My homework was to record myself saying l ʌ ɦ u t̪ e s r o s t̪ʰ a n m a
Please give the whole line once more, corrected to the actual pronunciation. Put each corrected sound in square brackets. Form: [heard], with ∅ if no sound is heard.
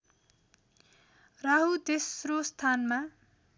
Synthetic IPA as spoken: [r] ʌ ɦ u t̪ e s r o s t̪ʰ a n m a